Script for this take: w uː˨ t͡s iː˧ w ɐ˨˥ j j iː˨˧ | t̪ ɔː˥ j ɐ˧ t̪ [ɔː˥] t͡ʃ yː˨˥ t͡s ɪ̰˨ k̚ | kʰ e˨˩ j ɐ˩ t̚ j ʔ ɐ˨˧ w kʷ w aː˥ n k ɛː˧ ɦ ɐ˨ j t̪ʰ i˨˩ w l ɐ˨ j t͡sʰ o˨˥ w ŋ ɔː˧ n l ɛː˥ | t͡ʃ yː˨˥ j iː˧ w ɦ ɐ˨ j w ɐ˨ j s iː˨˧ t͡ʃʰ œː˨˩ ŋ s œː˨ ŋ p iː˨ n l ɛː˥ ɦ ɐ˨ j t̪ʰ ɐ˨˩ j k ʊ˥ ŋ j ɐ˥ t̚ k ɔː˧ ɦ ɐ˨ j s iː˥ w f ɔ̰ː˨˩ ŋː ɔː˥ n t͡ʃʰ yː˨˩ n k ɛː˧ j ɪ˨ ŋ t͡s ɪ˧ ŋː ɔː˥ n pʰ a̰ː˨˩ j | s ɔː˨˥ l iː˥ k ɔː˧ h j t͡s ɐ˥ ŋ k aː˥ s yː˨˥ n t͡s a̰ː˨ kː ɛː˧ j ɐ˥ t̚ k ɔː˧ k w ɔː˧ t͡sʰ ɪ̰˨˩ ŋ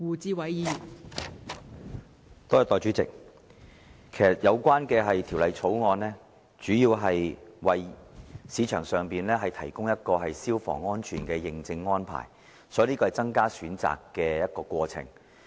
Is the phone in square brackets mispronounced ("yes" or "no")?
yes